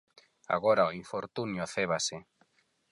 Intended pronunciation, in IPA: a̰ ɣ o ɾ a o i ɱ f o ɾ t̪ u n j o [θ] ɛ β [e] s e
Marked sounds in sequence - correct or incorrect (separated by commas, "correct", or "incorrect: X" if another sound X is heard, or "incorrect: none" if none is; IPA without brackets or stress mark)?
correct, incorrect: a